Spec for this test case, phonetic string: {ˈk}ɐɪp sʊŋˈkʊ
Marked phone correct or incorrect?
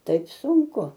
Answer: incorrect